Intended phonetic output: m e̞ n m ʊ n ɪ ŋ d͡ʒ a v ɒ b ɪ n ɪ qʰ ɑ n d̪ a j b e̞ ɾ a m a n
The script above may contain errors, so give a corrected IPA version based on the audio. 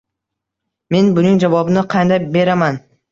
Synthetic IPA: m e̞ n b ʊ n ɪ ŋ d͡ʒ a v ɒ b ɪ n ɪ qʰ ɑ n d̪ a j b e̞ ɾ a m a n